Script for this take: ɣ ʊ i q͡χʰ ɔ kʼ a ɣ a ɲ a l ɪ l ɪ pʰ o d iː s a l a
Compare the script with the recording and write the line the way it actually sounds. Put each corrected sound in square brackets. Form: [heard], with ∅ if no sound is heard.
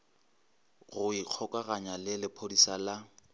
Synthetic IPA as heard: ɣ ʊ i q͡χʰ ɔ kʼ a ɣ a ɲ a l ɪ l ɪ pʰ o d [i] s a l a